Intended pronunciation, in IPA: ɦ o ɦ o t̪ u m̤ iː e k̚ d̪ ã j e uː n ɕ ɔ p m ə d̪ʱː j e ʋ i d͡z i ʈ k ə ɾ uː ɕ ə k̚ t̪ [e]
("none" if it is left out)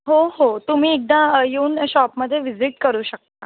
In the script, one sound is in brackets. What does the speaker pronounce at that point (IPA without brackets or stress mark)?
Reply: a